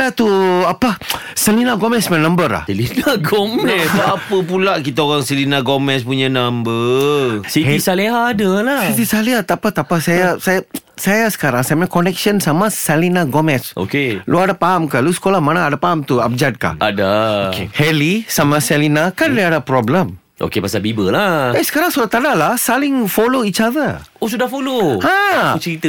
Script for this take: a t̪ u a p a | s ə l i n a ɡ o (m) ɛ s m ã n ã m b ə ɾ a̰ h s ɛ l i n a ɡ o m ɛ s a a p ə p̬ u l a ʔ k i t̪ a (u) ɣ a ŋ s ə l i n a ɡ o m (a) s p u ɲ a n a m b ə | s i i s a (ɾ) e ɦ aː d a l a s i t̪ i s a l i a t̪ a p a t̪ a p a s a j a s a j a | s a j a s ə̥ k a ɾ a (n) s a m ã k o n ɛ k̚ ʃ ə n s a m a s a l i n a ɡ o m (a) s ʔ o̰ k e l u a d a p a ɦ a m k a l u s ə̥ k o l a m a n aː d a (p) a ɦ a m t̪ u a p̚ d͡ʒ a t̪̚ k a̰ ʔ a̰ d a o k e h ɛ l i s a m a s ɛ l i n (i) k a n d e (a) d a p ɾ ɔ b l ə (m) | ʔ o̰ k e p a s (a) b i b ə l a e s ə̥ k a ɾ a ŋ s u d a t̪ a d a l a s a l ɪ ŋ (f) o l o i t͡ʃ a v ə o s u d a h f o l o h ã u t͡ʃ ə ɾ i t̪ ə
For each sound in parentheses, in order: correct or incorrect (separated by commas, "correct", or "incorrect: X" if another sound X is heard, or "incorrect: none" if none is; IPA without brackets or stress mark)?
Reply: correct, incorrect: o, incorrect: ɛ, incorrect: l, incorrect: ŋ, incorrect: ɛ, correct, incorrect: a, correct, correct, correct, correct